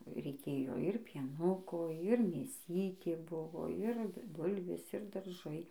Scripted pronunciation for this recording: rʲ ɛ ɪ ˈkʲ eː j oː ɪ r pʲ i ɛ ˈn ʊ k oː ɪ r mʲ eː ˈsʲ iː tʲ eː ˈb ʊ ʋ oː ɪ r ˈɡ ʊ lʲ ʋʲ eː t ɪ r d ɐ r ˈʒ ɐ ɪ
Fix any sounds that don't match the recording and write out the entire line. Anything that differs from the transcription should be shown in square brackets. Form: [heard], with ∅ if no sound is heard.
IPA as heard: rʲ ɛ ɪ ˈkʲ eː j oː ɪ r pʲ i ɛ ˈn ʊ k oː ɪ r mʲ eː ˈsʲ iː tʲ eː ˈb ʊ ʋ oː ɪ r [ˈb] ʊ lʲ ʋʲ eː [s] ɪ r d ɐ r ˈʒ ɐ ɪ